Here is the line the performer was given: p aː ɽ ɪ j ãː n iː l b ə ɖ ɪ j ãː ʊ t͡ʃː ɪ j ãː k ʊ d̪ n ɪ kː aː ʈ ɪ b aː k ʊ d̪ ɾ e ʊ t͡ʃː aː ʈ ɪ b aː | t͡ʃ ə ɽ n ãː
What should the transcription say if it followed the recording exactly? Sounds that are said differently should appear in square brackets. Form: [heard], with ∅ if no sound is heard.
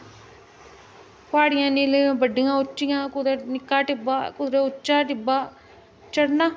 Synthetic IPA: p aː ɽ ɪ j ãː n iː l b ə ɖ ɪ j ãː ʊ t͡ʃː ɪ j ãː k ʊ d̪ n ɪ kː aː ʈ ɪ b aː k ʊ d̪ ɾ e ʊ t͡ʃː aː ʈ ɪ b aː | t͡ʃ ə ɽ n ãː